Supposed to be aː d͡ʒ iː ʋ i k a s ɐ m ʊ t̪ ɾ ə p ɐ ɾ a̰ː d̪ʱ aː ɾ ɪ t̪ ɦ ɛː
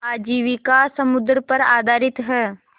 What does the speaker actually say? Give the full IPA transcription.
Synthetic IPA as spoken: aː d͡ʒ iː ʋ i k a s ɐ m ʊ d̪ ɾ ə p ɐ ɾ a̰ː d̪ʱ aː ɾ ɪ t̪ ɦ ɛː